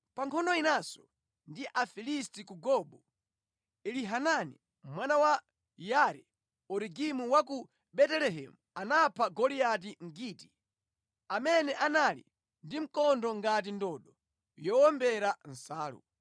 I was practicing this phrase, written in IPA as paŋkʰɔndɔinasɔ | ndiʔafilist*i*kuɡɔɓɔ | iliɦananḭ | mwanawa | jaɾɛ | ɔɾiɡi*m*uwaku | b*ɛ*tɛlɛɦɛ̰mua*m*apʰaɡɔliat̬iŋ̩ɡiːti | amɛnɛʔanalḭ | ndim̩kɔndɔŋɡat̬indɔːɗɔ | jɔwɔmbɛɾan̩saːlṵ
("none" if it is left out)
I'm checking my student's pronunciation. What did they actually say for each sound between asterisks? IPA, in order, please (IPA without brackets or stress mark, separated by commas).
i, m, ɛ, n